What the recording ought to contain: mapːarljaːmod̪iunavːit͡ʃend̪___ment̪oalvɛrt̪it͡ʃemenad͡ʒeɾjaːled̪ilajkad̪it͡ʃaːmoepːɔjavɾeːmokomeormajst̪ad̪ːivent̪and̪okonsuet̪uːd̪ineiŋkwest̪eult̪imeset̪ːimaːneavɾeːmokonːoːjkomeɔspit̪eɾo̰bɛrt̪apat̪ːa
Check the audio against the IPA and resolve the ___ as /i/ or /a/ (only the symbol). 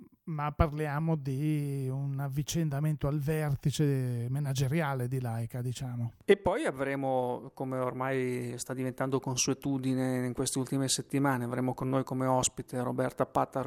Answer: a